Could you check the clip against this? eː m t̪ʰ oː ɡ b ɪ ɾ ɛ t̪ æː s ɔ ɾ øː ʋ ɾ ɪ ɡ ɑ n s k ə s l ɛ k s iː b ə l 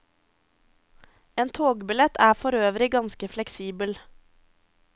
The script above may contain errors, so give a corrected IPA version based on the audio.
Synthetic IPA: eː n t̪ʰ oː ɡ b ɪ l ɛ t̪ æː f ɔ ɾ øː ʋ ɾ ɪ ɡ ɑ n s k ə f l ɛ k s iː b ə l